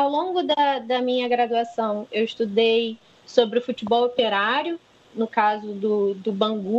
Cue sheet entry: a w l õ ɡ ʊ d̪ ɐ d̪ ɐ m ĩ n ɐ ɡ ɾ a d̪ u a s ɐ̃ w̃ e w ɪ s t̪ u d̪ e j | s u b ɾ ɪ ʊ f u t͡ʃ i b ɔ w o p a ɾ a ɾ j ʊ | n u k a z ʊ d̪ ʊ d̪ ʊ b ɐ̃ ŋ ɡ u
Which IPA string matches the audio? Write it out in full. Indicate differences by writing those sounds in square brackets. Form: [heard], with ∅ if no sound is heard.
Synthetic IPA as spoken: a w l õ ɡ ʊ d̪ ɐ d̪ ɐ m ĩ [ɲ] ɐ ɡ ɾ a d̪ u a s ɐ̃ w̃ e w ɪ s t̪ u d̪ e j | s [o] b ɾ ɪ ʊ f u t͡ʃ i b ɔ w o p [e] ɾ a ɾ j ʊ | n [ʊ] k a z ʊ d̪ ʊ d̪ ʊ b ɐ̃ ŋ ɡ u